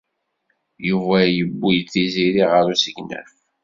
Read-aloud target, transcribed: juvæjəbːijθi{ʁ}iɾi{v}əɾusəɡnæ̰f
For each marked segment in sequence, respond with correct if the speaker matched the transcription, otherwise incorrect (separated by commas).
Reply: incorrect, incorrect